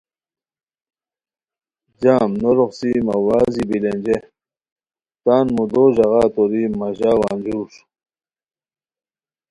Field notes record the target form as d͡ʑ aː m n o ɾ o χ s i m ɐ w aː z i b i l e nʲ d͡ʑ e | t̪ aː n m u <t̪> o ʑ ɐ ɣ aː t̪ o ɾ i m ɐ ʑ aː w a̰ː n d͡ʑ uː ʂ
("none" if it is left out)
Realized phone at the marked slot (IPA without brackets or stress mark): d̪